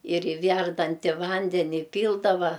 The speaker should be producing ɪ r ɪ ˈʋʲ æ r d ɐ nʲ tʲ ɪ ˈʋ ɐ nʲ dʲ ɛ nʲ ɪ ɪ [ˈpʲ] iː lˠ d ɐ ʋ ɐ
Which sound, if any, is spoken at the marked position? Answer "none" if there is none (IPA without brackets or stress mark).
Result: pʲ